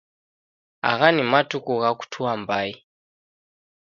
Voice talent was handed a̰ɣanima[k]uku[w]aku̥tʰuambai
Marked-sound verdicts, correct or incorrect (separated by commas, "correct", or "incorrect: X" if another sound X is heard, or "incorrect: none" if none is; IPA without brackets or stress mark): incorrect: t, incorrect: ɣ